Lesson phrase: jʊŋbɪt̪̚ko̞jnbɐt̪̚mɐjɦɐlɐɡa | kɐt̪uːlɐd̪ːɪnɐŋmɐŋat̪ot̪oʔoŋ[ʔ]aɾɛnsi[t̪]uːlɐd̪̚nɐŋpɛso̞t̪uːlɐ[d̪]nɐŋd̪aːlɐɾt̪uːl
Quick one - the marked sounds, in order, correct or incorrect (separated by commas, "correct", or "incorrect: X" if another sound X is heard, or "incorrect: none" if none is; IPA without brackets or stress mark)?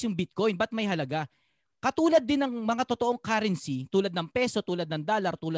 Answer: incorrect: k, correct, correct